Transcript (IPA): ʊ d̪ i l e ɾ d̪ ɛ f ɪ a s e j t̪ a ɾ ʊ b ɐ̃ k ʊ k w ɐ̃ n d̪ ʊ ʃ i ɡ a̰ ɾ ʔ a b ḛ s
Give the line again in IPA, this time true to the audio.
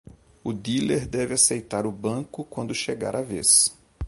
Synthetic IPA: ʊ d̪ i l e ɾ d̪ ɛ v ɪ a s e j t̪ a ɾ ʊ b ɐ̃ k ʊ k w ɐ̃ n d̪ ʊ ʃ e ɡ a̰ ɾ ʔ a v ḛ s